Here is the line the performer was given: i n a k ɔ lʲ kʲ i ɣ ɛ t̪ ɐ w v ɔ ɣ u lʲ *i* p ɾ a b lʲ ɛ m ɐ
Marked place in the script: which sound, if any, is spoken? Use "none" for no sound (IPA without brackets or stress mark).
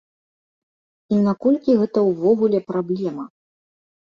ɛ